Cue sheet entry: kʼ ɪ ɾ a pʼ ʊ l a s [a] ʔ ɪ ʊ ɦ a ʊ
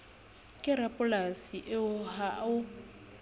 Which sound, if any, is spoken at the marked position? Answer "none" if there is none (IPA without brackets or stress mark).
i